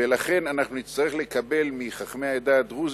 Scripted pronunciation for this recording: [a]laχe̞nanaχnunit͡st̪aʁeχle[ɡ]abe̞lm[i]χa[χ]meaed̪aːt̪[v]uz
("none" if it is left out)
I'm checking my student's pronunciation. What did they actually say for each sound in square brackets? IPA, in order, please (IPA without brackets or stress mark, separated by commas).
e, k, i, χ, ʁ